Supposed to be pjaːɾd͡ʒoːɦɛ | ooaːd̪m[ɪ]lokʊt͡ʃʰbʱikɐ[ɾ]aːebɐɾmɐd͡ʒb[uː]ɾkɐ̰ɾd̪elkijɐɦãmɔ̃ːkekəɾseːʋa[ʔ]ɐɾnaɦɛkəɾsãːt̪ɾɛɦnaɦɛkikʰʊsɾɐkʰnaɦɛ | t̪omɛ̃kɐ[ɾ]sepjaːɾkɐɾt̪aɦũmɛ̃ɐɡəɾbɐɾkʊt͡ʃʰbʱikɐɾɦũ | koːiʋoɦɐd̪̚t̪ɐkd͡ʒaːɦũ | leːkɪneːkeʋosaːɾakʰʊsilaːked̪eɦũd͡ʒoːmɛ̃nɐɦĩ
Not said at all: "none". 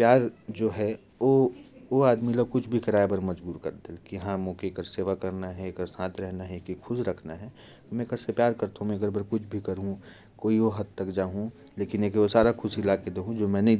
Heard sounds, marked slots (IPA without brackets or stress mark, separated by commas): i, ɾ, uː, k, ɾ